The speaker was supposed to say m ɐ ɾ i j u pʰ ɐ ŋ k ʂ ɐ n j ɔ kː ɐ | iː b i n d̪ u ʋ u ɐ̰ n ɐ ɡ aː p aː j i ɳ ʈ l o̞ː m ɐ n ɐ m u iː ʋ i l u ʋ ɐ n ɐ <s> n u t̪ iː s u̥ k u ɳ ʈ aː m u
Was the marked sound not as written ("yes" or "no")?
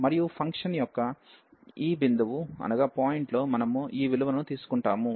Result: yes